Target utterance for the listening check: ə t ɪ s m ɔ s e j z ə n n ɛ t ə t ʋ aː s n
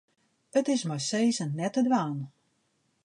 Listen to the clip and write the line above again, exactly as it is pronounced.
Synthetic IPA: ə t ɪ s m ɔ s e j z ə n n ɛ t ə d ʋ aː n